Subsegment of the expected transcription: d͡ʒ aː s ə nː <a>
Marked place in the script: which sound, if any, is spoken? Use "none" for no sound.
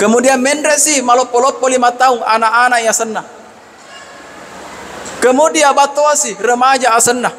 a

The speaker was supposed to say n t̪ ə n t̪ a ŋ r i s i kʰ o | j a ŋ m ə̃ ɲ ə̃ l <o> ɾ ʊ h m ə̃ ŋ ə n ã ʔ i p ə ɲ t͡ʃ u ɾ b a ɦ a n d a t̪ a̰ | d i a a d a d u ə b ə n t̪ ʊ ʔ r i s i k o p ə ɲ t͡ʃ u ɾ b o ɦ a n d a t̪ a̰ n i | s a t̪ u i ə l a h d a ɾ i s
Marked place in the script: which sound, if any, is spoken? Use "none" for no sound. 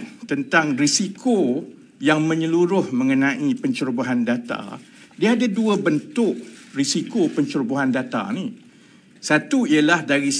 u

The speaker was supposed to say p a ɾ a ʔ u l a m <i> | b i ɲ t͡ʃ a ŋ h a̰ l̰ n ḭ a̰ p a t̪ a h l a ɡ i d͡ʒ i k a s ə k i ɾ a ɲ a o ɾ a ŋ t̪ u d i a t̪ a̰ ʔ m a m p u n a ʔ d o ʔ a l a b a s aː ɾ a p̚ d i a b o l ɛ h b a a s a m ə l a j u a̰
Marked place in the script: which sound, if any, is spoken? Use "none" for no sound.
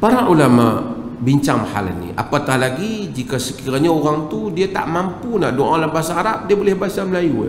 a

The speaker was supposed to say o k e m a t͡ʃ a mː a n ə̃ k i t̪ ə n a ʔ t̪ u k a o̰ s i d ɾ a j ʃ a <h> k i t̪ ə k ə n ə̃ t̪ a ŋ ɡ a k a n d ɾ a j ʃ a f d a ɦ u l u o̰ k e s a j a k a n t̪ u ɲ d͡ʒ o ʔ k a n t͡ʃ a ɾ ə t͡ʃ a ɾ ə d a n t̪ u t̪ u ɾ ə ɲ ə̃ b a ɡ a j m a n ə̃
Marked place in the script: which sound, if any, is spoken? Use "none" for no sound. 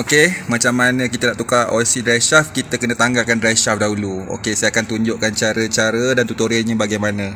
f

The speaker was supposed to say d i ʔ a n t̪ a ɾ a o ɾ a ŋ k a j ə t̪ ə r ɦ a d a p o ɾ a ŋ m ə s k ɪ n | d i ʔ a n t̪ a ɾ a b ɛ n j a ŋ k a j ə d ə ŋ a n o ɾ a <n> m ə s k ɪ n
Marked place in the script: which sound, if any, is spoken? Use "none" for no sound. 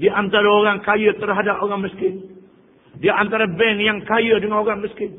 ŋ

